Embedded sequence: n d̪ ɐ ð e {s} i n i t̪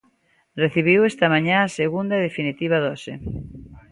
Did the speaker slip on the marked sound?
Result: yes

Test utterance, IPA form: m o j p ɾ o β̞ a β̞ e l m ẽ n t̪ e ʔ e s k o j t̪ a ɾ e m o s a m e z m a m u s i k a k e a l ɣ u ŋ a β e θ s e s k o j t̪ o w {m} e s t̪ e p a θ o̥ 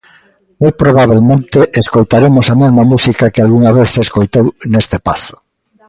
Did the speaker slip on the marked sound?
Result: yes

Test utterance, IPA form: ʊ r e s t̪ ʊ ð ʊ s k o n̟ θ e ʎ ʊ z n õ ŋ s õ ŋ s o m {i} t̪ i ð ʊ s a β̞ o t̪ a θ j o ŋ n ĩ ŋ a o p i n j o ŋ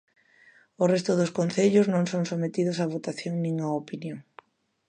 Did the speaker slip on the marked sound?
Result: yes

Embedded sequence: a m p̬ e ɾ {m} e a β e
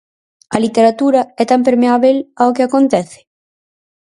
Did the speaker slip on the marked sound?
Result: no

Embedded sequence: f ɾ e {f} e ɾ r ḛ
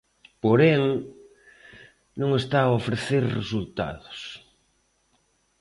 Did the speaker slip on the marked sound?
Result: yes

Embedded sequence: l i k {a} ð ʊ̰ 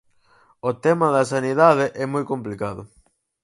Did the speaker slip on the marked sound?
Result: no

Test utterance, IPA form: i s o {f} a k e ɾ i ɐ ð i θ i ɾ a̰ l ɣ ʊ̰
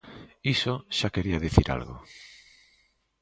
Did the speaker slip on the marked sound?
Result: yes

